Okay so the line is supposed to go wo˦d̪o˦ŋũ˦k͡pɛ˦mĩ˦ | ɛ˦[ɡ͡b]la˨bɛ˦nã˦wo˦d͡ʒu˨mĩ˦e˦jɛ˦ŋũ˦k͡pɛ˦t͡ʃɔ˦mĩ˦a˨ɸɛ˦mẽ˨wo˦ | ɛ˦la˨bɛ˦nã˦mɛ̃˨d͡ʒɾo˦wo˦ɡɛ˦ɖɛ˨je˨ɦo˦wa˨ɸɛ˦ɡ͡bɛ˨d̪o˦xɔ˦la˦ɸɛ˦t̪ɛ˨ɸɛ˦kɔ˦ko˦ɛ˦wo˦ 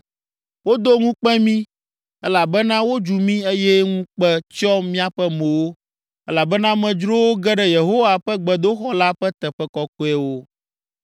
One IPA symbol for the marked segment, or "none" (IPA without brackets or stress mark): none